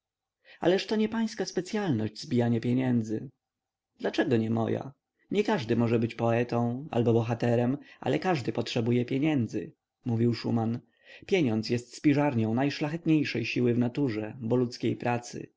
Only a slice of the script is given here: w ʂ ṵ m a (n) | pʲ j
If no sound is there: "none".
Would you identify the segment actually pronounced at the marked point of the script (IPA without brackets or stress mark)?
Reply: n